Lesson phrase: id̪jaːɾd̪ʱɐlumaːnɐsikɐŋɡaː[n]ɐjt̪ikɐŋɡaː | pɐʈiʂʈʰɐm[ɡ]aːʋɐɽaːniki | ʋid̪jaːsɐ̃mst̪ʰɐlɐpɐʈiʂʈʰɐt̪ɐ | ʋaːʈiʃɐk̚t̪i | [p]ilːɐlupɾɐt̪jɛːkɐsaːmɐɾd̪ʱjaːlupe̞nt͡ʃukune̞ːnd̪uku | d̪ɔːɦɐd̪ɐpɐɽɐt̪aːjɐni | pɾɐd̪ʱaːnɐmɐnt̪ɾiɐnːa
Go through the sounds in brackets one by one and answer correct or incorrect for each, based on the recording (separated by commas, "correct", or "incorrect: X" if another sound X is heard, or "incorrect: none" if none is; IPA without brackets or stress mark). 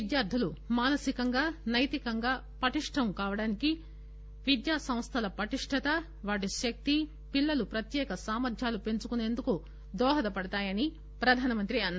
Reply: correct, incorrect: k, correct